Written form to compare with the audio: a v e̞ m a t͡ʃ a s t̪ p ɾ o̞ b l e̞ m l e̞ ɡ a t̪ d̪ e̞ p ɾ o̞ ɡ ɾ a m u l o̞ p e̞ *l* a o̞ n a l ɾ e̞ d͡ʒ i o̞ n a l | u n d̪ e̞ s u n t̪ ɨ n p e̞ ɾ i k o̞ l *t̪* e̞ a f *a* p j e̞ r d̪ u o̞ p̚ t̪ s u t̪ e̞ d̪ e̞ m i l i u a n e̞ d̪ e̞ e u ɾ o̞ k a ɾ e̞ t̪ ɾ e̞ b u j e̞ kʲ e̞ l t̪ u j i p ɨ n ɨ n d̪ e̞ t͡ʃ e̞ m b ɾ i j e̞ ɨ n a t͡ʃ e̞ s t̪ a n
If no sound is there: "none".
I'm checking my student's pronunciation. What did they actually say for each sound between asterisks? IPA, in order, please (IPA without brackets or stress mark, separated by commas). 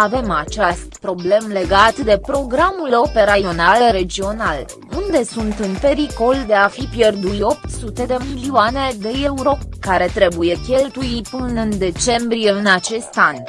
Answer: ɾ, d̪, i